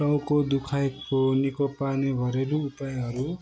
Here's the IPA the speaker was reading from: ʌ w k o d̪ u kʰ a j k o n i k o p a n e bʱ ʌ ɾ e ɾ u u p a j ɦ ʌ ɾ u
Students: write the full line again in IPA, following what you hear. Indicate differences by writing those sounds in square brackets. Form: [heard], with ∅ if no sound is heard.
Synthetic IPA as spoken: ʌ w k o d̪ u kʰ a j k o n i k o p a n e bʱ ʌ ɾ e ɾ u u p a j ɦ ʌ ɾ u